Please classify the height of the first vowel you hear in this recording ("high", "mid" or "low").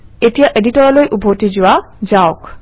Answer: mid